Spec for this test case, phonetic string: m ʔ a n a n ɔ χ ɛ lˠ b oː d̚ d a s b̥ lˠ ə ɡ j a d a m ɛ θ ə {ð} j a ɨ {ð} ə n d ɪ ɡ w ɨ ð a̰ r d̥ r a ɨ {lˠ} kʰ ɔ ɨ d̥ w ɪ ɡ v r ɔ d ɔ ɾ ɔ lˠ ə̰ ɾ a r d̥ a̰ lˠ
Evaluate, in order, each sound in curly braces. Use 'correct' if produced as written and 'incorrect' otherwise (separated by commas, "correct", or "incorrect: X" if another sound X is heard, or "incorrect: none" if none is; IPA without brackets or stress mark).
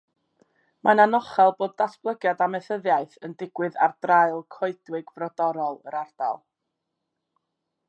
correct, incorrect: θ, correct